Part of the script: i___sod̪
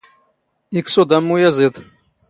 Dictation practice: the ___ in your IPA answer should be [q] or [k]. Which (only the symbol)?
k